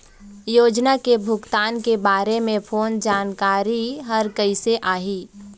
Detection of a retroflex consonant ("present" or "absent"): absent